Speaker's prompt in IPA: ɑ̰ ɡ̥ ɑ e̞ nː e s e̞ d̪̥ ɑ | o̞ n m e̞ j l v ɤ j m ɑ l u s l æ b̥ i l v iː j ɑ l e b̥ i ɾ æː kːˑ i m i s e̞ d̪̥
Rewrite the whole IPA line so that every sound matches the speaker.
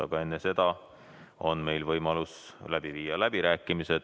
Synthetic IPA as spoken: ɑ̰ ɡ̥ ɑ e̞ nː e s e̞ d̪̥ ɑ | o̞ n m e̞ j l v ɤ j m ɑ l u s l æ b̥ i v iː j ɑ l æ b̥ i ɾ æː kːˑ i m i s e̞ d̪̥